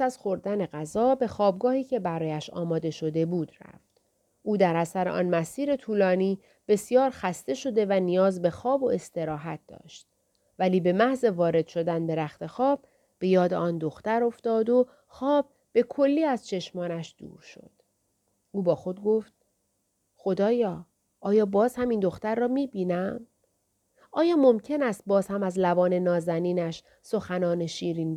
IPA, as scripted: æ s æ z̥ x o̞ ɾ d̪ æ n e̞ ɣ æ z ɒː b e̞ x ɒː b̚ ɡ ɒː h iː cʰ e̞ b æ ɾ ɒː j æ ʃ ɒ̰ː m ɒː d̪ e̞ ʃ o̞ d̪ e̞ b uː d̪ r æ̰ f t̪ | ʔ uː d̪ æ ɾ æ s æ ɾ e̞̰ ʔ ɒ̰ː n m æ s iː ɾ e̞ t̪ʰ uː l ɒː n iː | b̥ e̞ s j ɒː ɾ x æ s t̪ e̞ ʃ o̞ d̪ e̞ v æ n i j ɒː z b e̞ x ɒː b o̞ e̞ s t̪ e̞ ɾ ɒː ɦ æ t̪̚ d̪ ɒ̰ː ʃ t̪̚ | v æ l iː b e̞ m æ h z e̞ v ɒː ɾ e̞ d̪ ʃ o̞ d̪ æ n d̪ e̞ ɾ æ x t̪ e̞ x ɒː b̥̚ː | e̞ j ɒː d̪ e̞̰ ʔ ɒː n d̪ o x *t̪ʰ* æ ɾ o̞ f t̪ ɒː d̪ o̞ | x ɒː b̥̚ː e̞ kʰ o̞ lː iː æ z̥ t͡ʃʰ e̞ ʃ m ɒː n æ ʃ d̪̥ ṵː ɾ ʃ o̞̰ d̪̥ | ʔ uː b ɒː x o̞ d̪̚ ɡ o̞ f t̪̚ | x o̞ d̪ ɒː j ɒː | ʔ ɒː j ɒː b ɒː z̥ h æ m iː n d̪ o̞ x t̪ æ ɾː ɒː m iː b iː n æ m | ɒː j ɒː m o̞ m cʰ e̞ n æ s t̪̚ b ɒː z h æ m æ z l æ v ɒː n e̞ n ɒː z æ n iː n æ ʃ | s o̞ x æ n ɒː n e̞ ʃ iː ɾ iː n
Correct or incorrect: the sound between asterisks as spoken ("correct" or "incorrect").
incorrect